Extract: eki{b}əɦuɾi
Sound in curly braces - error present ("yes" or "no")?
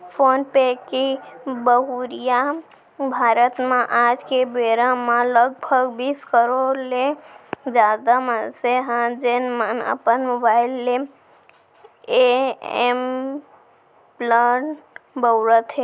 no